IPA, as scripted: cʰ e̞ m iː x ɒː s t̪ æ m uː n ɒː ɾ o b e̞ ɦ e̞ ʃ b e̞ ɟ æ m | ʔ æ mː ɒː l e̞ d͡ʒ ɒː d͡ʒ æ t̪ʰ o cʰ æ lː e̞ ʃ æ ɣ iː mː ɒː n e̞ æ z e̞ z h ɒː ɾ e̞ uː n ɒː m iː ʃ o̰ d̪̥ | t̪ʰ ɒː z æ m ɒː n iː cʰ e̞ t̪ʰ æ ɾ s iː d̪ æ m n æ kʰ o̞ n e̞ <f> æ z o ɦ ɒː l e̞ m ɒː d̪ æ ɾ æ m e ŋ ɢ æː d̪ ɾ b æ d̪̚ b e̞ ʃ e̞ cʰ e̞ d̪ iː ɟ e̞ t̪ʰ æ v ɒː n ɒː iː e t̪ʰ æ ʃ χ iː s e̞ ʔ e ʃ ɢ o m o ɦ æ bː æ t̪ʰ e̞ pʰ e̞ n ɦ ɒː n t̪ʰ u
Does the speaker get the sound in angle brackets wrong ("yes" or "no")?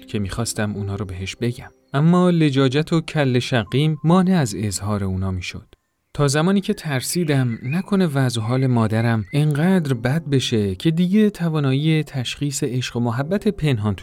yes